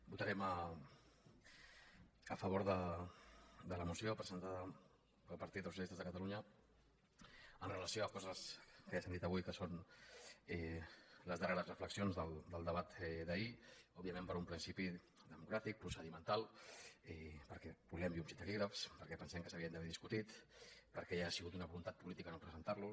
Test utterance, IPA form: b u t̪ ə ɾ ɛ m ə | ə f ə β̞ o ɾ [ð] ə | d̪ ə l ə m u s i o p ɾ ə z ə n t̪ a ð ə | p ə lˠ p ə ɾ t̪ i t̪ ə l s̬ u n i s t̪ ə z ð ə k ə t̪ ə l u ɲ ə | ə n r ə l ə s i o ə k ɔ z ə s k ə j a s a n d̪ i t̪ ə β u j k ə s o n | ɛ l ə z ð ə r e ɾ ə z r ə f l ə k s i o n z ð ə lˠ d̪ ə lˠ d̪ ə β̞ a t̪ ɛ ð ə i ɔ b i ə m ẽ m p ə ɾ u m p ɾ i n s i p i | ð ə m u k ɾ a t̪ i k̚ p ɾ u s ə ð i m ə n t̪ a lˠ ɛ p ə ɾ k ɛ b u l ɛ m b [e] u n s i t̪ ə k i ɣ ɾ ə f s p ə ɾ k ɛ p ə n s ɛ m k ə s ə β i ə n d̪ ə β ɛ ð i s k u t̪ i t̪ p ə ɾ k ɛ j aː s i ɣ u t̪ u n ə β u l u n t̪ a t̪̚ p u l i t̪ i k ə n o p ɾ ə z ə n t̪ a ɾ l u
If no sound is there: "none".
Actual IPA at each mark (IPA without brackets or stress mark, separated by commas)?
ð, i